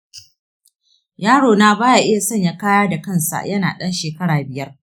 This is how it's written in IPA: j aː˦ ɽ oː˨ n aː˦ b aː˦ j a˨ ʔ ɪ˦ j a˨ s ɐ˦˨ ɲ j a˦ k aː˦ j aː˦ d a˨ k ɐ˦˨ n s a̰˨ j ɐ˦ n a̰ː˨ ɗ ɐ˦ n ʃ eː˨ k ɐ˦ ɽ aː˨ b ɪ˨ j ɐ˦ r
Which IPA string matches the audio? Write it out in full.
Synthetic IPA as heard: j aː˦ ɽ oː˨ n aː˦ b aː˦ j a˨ ʔ ɪ˦ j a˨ s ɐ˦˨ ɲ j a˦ k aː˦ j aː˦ d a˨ k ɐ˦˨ n s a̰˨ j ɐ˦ n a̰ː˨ ɗ ɐ˦ n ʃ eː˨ k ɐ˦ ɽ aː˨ b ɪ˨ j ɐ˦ r